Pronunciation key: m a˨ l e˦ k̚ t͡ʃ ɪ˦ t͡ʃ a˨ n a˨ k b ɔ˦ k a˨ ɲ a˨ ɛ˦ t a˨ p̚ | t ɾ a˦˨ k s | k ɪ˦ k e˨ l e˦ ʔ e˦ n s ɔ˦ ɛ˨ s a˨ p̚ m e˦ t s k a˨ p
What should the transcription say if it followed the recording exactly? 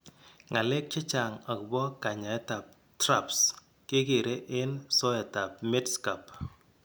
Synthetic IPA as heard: ŋ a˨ l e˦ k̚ t͡ʃ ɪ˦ t͡ʃ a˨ ŋ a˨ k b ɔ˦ k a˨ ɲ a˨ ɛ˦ t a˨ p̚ | t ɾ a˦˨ p s | k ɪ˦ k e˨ ɾ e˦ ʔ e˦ n s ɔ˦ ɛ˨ t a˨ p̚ m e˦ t s k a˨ p